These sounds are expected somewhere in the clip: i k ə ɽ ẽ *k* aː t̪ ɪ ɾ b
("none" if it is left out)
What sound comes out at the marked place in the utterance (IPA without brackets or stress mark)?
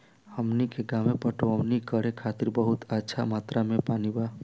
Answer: kʰ